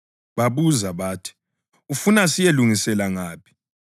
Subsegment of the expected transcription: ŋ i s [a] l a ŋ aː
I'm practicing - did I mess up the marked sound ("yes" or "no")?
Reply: yes